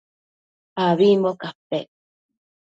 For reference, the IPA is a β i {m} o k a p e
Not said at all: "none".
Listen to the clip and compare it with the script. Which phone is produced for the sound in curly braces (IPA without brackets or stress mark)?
m